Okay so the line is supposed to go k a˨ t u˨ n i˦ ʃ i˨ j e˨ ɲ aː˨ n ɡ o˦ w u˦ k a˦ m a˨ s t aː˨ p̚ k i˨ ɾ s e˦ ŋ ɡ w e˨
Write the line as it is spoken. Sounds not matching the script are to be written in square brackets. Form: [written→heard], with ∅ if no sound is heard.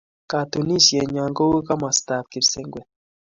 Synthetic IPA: k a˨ t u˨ n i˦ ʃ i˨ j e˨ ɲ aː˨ [n→ŋ] ɡ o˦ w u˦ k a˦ m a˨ s t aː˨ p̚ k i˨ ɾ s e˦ ŋ ɡ w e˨